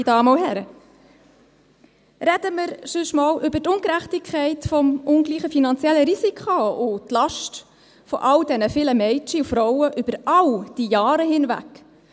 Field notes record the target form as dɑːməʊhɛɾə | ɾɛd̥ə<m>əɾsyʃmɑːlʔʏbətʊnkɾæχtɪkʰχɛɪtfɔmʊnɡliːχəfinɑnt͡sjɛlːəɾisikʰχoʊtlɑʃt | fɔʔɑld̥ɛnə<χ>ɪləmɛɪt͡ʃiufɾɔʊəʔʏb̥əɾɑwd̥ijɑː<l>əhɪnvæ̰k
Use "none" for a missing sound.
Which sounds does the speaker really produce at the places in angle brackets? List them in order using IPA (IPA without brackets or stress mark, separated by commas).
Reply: m, f, ɾ